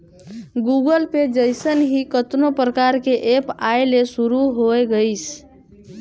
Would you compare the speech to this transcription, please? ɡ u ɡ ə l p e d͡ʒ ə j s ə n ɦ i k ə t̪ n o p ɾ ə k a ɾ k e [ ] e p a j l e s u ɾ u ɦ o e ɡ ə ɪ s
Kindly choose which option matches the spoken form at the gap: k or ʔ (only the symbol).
ʔ